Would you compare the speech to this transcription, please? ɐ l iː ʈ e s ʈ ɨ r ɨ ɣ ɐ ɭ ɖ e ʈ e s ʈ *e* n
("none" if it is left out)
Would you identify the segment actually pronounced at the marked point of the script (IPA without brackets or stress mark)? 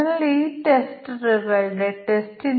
i